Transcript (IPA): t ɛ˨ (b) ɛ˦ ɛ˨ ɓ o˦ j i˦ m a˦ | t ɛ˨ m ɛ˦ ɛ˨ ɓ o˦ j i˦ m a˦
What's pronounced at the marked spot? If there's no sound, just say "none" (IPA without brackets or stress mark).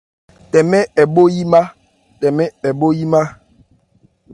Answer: m